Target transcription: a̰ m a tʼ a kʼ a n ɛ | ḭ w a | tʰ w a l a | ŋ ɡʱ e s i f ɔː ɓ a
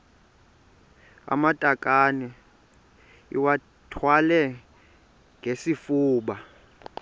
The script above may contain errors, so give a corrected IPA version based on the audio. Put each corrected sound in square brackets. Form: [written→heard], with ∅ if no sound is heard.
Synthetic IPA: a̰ m a tʼ a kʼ a n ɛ | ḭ w a | tʰ w a l [a→ɛ] | ŋ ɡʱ e s i f [ɔː→uː] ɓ a